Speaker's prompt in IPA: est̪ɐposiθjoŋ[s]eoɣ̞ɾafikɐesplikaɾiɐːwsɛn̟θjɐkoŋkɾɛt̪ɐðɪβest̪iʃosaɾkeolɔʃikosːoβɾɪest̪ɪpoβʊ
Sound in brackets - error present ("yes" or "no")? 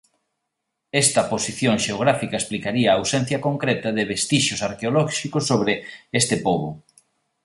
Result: yes